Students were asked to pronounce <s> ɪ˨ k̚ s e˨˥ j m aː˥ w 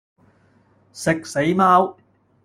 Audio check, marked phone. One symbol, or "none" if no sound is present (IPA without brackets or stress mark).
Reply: s